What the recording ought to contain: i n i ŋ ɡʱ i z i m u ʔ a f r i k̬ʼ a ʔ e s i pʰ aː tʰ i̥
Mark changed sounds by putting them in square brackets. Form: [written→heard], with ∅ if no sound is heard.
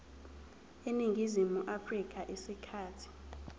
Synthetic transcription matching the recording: [i→e] n i ŋ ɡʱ i z i m u ʔ a f r i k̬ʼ a ʔ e s i [pʰ→kʰ] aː tʰ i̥